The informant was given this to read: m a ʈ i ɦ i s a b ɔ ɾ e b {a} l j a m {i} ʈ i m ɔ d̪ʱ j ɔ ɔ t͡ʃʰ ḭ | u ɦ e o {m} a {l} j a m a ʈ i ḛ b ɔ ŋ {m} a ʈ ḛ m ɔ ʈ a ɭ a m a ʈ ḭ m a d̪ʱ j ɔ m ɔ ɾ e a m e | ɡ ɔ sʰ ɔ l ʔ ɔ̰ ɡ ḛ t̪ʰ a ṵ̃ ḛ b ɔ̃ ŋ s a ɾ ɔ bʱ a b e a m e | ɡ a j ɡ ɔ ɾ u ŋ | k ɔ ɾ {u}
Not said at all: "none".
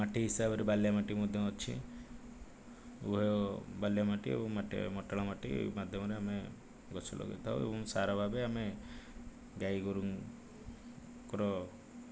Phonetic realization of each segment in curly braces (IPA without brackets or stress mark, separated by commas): a, a, b, l, m, ɔ